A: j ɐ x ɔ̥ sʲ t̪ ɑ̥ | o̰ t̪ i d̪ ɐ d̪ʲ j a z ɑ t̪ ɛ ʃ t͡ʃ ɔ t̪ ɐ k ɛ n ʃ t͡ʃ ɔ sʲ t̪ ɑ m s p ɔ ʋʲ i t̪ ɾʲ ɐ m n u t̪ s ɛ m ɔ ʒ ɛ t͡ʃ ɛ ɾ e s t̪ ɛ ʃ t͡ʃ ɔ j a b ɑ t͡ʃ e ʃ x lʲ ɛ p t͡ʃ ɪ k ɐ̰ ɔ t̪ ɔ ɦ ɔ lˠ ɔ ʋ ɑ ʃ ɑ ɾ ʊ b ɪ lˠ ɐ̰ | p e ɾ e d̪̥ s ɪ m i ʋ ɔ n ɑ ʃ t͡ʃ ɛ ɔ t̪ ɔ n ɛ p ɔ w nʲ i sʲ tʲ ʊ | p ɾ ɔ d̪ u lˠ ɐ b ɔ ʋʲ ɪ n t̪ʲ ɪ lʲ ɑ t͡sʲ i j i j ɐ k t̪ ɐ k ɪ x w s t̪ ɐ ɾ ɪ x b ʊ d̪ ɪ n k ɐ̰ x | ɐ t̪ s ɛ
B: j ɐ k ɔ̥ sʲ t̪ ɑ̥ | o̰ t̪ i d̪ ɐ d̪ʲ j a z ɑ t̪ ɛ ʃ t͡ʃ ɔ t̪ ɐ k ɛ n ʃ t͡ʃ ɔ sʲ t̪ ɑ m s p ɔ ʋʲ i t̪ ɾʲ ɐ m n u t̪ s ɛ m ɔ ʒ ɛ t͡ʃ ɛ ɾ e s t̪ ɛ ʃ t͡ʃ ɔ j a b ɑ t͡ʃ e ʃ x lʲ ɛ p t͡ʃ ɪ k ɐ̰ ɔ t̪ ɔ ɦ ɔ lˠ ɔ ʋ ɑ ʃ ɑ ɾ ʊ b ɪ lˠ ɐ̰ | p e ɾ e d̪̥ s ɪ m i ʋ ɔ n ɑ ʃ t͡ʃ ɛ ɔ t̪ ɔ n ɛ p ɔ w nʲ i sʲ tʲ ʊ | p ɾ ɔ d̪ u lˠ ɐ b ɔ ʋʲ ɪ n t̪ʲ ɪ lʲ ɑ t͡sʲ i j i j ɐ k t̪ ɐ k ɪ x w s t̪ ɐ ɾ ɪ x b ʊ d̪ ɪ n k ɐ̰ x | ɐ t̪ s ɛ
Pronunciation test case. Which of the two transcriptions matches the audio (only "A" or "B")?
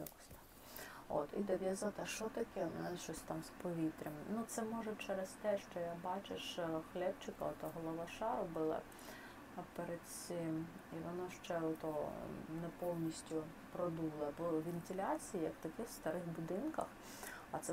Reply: B